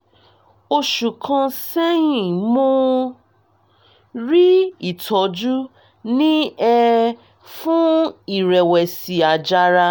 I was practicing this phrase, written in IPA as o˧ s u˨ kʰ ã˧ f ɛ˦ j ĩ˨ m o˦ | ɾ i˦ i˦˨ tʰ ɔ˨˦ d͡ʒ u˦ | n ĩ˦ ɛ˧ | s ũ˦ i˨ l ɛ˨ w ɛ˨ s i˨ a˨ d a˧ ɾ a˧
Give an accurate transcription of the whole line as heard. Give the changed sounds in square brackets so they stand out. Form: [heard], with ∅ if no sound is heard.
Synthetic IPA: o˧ [ʃ] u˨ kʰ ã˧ [s] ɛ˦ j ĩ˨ m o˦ | ɾ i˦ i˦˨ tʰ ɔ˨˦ d͡ʒ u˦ | n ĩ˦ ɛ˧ | [f] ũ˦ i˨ [ɾ] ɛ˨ w ɛ˨ s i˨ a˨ [d͡ʒ] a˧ ɾ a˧